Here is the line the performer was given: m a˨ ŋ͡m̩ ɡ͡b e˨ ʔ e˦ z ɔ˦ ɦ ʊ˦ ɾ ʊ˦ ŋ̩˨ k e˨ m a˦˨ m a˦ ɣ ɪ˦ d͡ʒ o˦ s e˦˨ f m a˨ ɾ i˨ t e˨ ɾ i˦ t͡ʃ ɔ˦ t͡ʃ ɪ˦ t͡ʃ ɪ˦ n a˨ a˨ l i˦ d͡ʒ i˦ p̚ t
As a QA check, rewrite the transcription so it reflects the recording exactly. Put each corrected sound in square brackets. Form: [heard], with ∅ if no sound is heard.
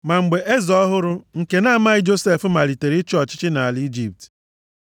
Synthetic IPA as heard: m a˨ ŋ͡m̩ ɡ͡b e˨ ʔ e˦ z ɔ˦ ɦ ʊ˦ ɾ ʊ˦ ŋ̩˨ k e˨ [n] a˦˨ m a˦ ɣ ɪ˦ d͡ʒ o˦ s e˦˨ f m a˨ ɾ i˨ t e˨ ɾ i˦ t͡ʃ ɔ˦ t͡ʃ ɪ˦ t͡ʃ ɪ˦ n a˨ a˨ l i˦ d͡ʒ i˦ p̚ t